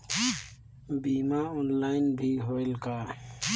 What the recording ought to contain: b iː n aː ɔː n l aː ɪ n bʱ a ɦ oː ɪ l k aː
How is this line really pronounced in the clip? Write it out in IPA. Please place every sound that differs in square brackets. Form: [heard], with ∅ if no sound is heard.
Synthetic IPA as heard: b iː [m] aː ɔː n l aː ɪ n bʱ [i] ɦ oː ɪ l k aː